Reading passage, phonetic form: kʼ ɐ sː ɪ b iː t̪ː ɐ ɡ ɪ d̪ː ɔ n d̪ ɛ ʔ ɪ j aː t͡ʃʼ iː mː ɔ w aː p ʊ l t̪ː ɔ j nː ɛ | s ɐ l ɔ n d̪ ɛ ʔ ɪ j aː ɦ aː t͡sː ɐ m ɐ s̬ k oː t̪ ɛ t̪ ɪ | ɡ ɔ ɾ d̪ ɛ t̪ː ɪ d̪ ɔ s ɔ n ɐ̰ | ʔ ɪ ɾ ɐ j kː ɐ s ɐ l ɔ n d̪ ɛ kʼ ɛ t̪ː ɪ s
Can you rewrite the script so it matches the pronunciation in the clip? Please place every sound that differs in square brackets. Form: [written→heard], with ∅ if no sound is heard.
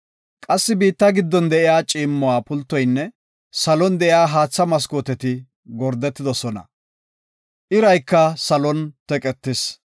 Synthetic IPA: kʼ ɐ sː ɪ b iː t̪ː ɐ ɡ ɪ d̪ː ɔ n d̪ ɛ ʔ ɪ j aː t͡ʃʼ iː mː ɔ w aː p ʊ l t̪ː ɔ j nː ɛ | s ɐ l ɔ n d̪ ɛ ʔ ɪ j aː ɦ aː t͡sː ɐ m ɐ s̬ k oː t̪ ɛ t̪ ɪ | ɡ ɔ ɾ d̪ ɛ t̪ː ɪ d̪ ɔ s ɔ n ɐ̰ | ʔ ɪ ɾ ɐ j kː ɐ s ɐ l ɔ n [d̪→t̪] ɛ kʼ ɛ t̪ː ɪ s